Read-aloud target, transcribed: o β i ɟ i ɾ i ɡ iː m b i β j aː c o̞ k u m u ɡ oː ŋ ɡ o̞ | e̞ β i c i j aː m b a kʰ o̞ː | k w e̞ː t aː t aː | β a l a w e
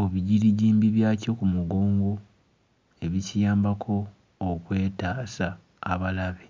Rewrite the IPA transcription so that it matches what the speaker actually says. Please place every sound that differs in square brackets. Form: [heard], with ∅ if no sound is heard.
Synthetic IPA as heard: o β i ɟ i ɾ i [ɟ] iː m b i β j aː c o̞ k u m u ɡ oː ŋ ɡ o̞ | e̞ β i c i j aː m b a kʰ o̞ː | k w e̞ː t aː [s] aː | β a l a [β] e